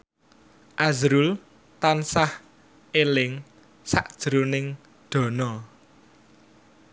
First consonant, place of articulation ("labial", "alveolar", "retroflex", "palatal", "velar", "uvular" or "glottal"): glottal